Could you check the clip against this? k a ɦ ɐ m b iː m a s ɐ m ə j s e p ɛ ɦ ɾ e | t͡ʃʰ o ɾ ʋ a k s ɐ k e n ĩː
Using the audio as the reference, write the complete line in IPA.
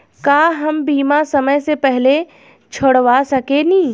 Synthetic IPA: k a ɦ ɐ m b iː m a s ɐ m ə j s e p ɛ ɦ l e | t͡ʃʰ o ɽ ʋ a s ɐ k e n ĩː